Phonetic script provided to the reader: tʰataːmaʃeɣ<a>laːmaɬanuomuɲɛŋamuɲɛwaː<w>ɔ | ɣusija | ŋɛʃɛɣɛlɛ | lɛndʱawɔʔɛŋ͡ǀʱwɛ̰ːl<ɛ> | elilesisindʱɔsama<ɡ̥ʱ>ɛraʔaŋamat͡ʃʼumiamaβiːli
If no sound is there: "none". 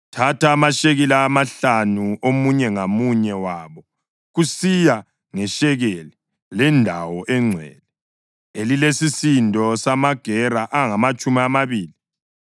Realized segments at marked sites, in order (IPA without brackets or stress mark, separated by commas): i, β, ɛ, ɡ̥ʱ